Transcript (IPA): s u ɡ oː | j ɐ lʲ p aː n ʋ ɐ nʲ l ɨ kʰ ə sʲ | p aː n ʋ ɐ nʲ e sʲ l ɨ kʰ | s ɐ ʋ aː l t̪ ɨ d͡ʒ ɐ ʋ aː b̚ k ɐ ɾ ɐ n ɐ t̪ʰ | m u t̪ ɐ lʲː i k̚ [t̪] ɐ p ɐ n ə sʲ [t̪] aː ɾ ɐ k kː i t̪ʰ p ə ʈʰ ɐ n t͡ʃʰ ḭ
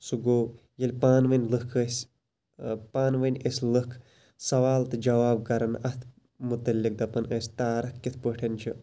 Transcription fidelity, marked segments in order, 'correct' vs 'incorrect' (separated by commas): incorrect, correct